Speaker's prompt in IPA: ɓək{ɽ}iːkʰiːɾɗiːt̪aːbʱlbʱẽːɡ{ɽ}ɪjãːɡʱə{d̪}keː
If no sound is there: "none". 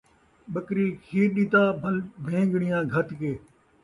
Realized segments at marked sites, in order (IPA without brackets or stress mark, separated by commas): ɾ, ɽ, t̪